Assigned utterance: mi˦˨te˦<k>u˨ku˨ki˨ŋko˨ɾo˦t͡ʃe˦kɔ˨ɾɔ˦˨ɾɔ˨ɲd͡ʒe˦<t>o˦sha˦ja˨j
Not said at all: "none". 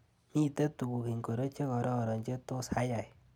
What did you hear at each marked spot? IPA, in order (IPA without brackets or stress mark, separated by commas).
t, t